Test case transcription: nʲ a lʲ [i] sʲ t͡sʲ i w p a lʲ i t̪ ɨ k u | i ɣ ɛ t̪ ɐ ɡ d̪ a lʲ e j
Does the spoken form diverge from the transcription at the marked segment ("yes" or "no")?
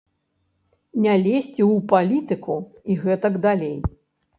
yes